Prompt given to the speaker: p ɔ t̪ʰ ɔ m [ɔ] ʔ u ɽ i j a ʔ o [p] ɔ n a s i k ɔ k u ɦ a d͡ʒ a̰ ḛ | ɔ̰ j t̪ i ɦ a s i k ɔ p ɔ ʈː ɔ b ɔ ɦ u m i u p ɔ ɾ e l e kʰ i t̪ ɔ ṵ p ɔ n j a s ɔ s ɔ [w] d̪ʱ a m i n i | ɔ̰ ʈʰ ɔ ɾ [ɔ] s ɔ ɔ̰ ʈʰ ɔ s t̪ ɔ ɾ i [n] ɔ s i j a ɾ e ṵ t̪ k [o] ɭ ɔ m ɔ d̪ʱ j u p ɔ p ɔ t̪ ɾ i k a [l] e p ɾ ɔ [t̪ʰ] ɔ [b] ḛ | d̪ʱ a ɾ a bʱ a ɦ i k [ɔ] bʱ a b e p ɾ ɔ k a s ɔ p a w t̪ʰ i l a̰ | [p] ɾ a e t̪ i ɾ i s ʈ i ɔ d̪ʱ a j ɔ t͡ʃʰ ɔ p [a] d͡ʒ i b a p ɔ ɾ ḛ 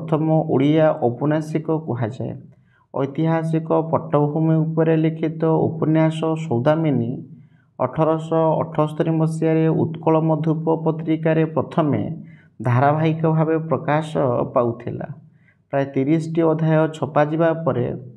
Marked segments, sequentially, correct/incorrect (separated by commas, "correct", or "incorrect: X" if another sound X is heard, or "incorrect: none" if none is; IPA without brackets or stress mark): correct, correct, correct, correct, incorrect: m, incorrect: ɔ, incorrect: ɾ, correct, incorrect: m, correct, correct, correct